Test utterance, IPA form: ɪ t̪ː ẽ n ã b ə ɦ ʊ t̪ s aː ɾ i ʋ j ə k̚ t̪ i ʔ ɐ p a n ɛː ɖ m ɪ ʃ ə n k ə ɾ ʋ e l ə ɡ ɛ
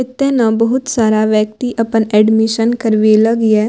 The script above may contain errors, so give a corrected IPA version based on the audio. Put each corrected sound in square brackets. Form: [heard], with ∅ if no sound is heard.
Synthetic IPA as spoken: ɪ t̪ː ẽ n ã b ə ɦ ʊ t̪ s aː ɾ [a] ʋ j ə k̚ t̪ i ʔ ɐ p [ə] n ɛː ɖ m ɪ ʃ ə n k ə ɾ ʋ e l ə ɡ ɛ